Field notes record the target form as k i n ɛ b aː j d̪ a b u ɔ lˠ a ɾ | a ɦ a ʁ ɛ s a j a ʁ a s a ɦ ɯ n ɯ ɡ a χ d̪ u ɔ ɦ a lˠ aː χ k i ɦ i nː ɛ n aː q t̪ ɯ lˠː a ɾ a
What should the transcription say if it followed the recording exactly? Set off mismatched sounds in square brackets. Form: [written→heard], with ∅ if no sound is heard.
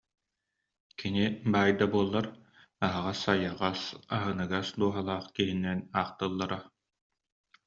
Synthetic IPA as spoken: k i n [ɛ→i] b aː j d̪ a b u ɔ [lˠ→lˠː] a ɾ | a ɦ a ʁ [ɛ→a] s a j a ʁ a s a ɦ ɯ n ɯ ɡ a [χ→s] d̪ u ɔ ɦ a lˠ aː χ k i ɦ i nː ɛ n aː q t̪ ɯ lˠː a ɾ a